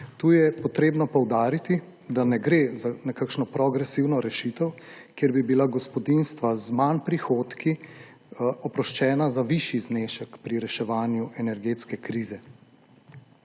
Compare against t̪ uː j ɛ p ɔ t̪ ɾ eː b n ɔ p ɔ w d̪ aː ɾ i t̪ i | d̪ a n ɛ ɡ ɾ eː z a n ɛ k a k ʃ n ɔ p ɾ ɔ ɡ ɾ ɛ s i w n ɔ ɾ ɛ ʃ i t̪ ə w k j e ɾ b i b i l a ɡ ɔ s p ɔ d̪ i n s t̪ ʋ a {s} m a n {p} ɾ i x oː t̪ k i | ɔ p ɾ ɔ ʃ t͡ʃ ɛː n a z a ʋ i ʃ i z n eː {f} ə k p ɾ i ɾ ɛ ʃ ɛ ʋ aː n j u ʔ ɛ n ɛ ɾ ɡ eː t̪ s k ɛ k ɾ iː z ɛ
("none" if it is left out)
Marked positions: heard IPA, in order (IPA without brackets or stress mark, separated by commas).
z, p, ʃ